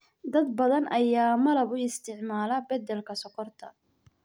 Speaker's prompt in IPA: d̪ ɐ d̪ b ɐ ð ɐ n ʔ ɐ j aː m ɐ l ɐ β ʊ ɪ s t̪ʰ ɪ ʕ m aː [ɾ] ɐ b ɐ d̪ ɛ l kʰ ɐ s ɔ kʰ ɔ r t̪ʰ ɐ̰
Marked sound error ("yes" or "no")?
yes